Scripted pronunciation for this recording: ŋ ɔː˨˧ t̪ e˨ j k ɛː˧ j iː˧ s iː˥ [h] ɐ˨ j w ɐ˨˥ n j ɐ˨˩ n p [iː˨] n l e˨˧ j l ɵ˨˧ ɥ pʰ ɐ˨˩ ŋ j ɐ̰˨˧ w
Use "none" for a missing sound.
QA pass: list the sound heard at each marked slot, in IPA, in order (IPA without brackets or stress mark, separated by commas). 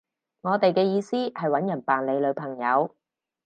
h, aː˨